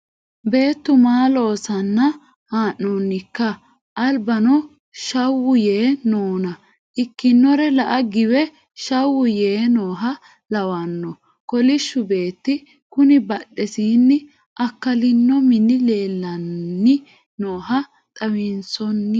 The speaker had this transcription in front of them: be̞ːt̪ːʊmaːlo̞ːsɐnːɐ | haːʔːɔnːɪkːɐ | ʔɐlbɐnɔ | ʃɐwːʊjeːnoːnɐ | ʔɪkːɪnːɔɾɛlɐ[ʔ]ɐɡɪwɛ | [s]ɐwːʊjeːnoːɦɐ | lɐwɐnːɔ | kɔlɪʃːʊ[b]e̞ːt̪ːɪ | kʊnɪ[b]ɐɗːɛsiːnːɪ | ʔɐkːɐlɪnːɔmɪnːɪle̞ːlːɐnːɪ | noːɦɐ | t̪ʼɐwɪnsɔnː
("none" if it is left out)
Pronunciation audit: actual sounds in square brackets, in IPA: ʔ, ʃ, b, b

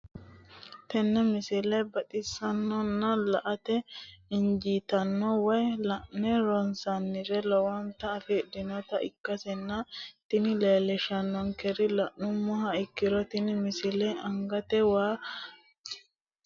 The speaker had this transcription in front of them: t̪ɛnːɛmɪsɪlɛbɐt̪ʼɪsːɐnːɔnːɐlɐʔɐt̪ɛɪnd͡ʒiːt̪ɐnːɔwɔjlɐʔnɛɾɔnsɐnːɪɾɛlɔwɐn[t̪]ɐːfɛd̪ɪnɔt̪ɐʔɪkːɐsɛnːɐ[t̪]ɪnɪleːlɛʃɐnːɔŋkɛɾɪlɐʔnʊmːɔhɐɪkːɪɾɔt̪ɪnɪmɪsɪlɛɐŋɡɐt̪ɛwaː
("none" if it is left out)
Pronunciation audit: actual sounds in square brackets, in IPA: t̪, t̪

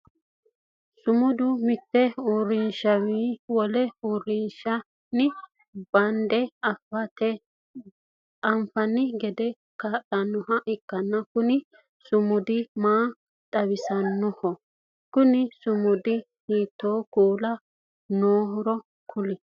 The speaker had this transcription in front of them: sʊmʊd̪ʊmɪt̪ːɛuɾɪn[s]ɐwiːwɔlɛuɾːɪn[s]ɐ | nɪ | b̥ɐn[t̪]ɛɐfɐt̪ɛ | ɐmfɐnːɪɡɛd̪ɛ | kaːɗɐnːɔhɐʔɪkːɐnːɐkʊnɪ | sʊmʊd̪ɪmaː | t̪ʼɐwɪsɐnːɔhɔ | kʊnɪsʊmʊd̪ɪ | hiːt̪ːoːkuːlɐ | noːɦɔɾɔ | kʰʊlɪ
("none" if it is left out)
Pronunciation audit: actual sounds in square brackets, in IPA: ʃ, ʃ, d̪

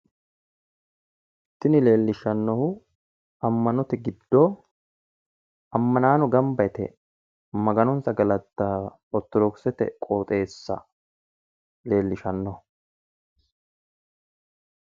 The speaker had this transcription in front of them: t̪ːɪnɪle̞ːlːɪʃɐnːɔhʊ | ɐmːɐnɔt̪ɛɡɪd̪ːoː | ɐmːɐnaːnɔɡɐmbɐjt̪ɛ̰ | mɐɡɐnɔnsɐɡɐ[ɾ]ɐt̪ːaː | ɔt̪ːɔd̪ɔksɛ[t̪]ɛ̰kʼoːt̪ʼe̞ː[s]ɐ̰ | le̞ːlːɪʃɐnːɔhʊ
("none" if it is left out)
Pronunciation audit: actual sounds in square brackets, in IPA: l, t̪, sː

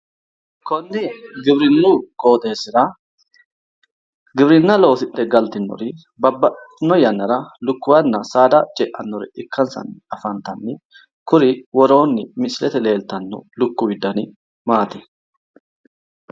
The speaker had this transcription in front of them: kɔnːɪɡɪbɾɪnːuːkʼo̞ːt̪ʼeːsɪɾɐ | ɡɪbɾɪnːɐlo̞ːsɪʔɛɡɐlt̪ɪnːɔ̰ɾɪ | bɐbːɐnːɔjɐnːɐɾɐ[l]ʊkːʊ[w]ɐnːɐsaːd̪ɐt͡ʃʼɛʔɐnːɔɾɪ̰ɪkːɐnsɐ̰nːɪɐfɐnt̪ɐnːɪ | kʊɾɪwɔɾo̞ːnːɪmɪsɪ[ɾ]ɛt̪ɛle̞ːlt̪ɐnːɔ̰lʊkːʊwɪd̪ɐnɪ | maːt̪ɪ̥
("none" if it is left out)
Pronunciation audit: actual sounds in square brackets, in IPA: l, w, l

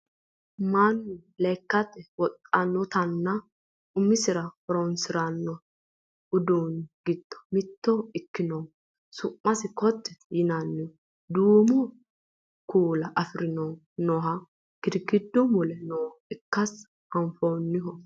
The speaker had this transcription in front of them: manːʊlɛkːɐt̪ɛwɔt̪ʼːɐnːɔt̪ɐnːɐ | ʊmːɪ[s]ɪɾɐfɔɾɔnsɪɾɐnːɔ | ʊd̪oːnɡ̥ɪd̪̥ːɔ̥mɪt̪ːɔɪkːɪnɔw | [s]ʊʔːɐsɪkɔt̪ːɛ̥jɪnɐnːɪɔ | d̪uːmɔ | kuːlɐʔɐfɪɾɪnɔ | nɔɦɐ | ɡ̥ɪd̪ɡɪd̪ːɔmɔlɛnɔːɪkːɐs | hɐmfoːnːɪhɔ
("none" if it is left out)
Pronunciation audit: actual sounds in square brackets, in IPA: s, s

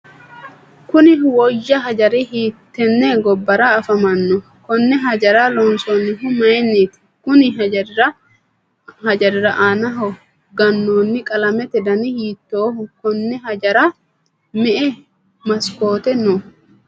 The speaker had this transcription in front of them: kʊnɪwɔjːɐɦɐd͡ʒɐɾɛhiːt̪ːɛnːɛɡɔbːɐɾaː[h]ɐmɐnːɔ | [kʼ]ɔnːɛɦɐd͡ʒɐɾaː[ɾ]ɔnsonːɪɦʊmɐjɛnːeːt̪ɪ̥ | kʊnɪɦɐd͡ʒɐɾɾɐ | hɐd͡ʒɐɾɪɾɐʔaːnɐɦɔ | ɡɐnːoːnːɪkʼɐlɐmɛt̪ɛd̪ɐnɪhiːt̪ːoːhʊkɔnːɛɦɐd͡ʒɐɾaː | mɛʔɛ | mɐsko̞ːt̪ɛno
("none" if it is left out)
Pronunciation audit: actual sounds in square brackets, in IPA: f, k, l

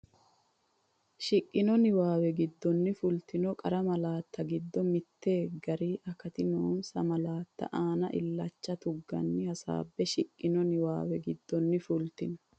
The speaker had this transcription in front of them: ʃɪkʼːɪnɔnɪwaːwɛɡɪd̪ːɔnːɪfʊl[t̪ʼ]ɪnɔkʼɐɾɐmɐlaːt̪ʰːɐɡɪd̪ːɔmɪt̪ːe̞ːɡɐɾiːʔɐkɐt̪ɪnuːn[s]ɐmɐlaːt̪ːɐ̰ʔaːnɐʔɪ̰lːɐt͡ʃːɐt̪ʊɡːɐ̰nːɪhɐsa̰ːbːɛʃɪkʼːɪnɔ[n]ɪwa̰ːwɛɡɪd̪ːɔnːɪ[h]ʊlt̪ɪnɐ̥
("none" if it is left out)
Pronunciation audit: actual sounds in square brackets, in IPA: t̪, s, n, f

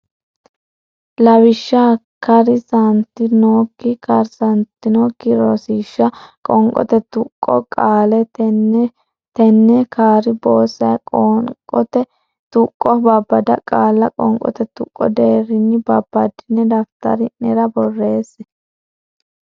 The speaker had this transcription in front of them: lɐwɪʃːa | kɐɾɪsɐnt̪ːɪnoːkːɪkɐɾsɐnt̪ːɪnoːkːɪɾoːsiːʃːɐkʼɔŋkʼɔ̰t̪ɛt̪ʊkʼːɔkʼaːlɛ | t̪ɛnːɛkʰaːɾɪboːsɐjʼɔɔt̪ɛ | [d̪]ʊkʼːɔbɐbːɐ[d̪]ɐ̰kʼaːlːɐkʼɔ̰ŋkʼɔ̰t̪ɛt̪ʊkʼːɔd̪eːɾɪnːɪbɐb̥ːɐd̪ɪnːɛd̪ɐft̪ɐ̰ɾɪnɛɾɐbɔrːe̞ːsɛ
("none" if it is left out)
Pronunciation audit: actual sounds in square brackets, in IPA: t̪, d̪

